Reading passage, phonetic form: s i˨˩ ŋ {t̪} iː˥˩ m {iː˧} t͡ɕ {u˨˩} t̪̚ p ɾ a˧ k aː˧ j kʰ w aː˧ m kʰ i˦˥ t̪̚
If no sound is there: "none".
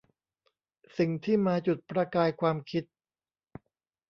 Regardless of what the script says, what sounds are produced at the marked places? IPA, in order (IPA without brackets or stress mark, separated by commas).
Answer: t̪ʰ, aː˧, u˨˩